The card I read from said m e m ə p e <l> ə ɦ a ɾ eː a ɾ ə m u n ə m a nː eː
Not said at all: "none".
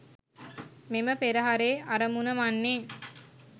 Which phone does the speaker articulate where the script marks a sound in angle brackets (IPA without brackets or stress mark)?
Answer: ɾ